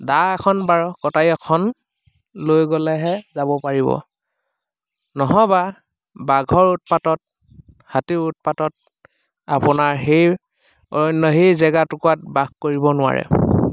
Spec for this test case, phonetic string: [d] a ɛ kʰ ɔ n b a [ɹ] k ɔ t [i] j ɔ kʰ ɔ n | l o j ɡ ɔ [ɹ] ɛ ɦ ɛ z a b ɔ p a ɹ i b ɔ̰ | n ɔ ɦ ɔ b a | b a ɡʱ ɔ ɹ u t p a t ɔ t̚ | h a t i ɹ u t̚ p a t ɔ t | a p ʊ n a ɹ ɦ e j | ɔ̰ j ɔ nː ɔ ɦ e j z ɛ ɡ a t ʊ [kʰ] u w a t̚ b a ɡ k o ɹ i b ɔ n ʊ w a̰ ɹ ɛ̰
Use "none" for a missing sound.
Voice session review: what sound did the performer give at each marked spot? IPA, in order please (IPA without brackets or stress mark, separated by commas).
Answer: d, ɹ, a, l, k